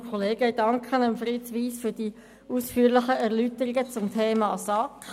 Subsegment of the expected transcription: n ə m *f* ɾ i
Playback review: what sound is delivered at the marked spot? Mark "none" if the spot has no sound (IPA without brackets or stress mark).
f